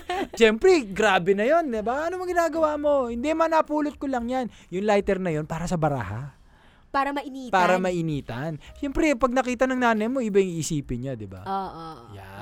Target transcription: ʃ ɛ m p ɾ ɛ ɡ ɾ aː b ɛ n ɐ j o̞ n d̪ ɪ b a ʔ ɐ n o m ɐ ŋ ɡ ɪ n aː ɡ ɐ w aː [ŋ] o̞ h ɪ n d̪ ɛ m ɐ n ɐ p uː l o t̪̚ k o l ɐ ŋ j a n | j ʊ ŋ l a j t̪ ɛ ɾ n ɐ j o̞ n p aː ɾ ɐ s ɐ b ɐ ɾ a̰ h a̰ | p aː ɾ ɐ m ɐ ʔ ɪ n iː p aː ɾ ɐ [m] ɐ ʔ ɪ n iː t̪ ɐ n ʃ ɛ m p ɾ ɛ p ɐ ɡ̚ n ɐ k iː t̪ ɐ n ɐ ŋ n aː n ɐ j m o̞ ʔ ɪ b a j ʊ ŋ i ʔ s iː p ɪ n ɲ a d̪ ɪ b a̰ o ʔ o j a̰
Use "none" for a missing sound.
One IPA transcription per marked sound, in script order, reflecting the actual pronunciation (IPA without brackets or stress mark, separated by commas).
m, m